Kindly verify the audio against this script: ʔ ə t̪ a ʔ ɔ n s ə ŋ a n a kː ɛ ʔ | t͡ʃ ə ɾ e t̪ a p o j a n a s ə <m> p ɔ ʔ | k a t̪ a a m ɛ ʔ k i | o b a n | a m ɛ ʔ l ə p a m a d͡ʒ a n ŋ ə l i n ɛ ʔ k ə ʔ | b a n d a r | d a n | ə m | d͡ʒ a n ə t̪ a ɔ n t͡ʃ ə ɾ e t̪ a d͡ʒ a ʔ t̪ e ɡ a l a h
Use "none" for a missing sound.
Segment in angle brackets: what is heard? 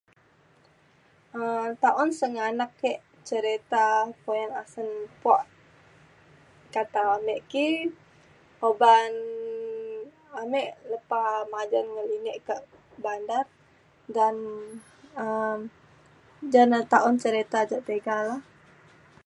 n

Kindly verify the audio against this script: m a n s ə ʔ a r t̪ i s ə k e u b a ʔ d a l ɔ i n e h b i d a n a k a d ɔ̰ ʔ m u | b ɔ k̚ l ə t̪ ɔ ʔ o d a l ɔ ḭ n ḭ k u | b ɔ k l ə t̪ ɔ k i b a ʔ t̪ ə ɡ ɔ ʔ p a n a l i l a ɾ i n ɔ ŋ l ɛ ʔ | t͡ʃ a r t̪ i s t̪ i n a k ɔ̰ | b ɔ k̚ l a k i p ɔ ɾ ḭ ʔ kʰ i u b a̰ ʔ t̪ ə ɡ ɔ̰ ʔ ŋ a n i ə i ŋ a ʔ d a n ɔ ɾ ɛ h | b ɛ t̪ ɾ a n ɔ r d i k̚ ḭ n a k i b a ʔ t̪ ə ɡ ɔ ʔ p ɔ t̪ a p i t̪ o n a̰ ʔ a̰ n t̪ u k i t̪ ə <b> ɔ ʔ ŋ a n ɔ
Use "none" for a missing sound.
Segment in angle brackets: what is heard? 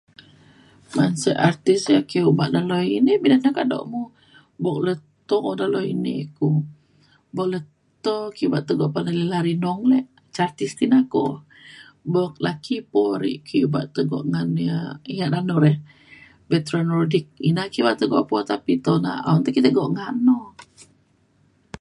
ɡ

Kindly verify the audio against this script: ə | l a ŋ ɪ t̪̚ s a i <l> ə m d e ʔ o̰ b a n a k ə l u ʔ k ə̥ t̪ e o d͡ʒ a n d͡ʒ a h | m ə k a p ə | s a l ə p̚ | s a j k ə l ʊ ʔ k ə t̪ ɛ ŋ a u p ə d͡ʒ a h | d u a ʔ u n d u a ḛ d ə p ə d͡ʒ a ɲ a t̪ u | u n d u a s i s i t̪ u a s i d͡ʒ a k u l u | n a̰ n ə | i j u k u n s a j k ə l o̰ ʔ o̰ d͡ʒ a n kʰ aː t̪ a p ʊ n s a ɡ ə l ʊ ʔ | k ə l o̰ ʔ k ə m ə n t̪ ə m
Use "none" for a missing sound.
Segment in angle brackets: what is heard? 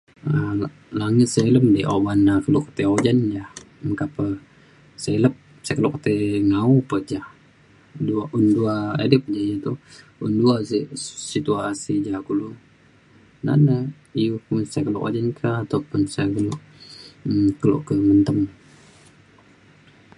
l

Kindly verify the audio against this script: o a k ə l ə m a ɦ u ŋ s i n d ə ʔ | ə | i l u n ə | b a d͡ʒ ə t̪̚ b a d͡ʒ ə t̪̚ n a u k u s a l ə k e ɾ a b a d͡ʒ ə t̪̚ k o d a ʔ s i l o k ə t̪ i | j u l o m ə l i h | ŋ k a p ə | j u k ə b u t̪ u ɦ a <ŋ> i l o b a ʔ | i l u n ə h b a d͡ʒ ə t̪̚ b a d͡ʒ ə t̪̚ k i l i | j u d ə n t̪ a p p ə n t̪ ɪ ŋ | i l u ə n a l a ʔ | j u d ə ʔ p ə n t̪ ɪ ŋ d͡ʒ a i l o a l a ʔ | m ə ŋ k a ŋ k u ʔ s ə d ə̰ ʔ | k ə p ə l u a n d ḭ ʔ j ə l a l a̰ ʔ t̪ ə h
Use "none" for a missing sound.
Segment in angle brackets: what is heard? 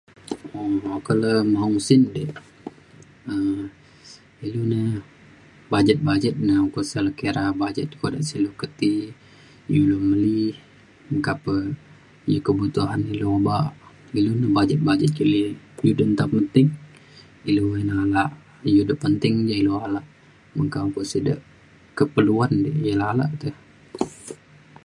n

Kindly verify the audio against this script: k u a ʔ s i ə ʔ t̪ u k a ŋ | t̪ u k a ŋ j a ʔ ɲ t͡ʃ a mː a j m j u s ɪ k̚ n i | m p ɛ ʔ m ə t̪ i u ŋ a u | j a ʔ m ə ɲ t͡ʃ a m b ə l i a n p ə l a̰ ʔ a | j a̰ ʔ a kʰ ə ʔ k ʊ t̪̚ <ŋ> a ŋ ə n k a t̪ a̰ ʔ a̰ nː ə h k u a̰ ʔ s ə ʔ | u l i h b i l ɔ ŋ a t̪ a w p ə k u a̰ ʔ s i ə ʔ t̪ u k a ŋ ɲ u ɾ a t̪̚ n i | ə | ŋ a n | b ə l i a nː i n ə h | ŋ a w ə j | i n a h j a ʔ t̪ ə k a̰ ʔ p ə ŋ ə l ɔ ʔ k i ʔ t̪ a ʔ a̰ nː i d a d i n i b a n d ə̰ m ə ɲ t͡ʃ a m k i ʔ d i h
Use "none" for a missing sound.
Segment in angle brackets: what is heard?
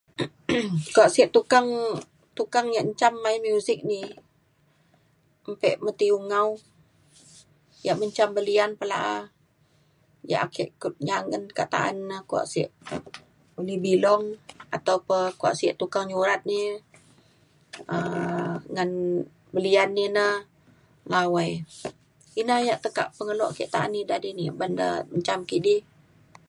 ɲ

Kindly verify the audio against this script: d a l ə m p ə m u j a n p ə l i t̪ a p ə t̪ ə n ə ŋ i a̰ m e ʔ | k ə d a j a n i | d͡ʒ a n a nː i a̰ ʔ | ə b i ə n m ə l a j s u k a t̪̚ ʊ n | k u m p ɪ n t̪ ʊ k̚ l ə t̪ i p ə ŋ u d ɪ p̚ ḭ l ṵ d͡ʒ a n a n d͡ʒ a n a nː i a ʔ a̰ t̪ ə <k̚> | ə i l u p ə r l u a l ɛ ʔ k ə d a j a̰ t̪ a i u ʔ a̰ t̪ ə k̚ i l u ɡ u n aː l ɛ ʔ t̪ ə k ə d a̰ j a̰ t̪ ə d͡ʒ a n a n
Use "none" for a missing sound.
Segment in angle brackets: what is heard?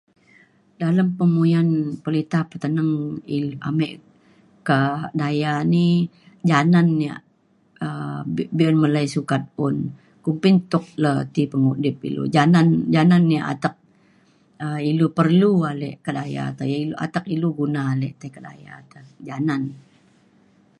k̚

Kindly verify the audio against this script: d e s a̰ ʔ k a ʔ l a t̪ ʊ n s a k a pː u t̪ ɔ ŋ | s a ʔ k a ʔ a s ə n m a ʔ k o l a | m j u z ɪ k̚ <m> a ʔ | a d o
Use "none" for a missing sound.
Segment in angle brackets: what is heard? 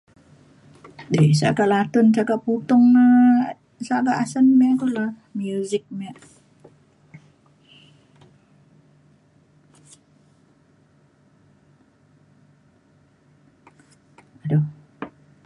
m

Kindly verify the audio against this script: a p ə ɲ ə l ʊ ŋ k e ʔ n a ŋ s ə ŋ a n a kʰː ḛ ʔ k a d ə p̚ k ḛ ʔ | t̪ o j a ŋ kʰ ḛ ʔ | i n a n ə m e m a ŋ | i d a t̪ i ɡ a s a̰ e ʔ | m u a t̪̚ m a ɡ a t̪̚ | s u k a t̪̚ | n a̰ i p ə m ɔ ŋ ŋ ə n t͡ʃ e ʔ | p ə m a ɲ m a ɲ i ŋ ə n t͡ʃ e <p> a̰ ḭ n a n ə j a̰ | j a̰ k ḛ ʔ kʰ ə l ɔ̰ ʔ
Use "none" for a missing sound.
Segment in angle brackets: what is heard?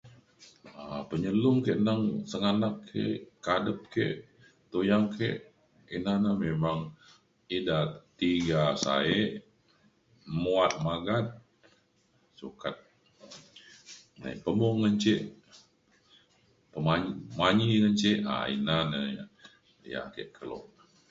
ʔ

